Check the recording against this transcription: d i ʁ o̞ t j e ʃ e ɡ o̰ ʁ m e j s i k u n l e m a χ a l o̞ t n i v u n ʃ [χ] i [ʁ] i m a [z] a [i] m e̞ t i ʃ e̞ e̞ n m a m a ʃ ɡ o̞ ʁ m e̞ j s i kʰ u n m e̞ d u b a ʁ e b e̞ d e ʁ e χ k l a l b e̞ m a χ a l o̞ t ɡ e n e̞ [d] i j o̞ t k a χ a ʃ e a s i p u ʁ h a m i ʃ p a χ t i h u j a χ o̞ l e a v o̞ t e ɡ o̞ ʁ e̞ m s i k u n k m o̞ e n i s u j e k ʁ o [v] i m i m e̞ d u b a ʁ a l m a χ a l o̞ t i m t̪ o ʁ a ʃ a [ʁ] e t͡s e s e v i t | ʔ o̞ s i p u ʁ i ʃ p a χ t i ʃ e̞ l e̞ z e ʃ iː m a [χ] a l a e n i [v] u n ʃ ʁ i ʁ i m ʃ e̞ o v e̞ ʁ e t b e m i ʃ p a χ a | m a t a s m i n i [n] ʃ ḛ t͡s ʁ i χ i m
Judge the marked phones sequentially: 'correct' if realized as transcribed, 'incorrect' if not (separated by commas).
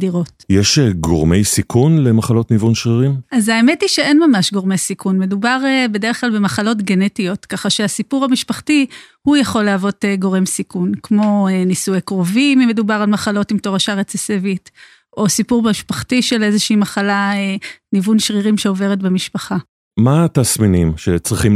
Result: incorrect, correct, correct, incorrect, incorrect, correct, correct, correct, correct, incorrect